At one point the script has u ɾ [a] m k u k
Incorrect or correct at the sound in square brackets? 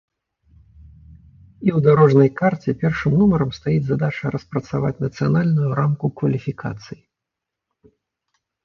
correct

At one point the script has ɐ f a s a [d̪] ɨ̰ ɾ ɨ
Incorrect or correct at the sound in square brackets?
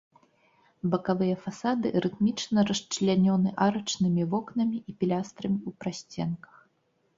correct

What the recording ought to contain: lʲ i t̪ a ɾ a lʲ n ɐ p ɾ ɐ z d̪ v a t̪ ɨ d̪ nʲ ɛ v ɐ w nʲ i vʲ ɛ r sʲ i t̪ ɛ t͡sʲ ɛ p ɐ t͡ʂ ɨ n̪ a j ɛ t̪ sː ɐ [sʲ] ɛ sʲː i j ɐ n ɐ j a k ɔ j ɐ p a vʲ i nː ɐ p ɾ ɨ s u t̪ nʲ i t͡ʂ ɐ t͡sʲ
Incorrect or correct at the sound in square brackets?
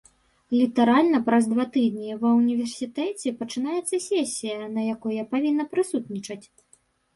correct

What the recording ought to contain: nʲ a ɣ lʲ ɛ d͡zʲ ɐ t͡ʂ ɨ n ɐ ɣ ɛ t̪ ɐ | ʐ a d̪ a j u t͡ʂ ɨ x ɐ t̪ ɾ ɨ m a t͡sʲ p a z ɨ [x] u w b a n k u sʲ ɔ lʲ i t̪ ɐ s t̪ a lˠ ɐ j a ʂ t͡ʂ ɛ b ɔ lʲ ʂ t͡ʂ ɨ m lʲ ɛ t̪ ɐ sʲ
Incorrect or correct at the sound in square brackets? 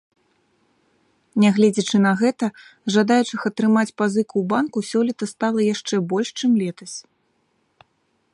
incorrect: k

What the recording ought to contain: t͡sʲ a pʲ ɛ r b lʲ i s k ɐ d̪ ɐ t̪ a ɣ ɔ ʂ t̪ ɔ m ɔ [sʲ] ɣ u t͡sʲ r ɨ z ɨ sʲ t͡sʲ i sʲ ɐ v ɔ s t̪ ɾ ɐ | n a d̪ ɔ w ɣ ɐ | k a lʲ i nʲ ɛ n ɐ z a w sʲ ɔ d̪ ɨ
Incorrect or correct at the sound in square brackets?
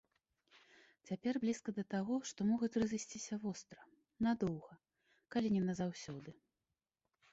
incorrect: none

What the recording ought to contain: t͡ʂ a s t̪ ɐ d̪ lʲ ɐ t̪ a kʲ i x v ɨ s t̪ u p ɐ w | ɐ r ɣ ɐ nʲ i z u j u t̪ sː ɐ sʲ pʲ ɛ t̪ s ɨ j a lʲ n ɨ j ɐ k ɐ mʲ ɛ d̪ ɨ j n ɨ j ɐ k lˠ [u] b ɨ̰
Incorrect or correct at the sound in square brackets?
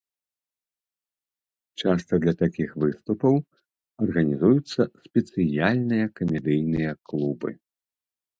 correct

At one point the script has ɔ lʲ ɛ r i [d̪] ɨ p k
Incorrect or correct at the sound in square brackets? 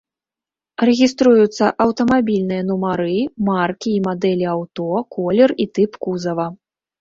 incorrect: t̪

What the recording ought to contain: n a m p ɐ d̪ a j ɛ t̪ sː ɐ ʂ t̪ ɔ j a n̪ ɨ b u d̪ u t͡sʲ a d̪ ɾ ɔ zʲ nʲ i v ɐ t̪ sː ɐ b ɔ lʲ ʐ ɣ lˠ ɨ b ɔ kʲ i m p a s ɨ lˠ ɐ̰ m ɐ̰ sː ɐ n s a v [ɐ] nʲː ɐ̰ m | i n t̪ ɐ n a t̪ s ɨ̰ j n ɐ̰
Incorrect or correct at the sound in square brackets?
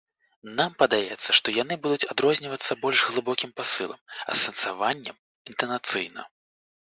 incorrect: a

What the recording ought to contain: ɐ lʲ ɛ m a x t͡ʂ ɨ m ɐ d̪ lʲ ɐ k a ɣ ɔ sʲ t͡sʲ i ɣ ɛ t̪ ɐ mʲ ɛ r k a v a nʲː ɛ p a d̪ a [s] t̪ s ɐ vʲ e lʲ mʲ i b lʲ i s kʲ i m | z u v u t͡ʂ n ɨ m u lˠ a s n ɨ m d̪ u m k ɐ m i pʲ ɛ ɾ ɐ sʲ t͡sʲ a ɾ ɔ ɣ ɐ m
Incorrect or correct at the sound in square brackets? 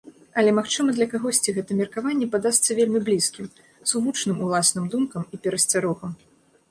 correct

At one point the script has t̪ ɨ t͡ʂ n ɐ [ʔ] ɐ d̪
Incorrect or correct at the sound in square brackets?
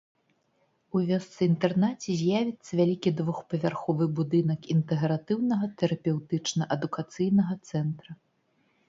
correct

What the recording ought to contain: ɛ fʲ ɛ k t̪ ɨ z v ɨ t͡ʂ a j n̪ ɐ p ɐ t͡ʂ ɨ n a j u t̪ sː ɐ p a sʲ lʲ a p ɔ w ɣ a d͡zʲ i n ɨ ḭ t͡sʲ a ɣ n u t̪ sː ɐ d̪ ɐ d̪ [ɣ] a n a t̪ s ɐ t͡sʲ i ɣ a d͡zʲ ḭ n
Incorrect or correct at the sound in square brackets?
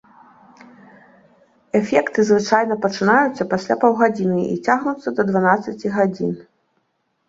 incorrect: v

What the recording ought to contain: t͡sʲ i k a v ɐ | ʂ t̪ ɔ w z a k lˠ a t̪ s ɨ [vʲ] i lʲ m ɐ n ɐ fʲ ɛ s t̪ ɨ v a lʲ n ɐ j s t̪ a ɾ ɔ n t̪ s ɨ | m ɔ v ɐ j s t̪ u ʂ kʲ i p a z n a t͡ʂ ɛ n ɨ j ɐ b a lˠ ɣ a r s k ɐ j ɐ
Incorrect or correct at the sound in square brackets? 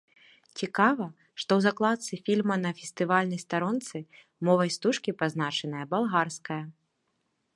incorrect: fʲ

